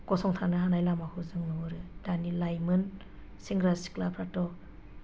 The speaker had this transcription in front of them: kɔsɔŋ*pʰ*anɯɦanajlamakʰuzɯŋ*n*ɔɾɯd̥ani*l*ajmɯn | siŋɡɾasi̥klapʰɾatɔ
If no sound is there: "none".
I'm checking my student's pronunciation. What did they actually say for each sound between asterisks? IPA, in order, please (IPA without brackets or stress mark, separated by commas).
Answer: tʰ, n, l